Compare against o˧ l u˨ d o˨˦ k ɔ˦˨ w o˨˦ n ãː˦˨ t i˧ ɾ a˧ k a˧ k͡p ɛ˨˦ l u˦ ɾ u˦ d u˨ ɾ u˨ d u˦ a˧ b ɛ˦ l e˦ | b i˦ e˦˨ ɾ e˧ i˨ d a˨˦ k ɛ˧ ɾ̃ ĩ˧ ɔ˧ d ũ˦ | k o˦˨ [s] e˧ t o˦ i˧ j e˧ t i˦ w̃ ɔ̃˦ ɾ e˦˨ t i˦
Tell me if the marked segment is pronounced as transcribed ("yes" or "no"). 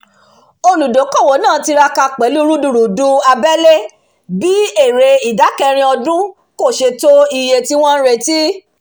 no